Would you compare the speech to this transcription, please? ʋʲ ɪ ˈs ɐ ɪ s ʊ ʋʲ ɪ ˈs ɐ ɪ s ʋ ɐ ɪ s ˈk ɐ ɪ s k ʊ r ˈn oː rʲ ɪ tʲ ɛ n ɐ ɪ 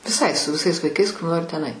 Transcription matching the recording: ʋʲ ɪ ˈs ɐ ɪ s ʊ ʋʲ ɪ ˈs ɐ ɪ s ʋ ɐ ɪ ˈk ɐ ɪ s k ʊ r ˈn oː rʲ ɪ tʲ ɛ n ɐ ɪ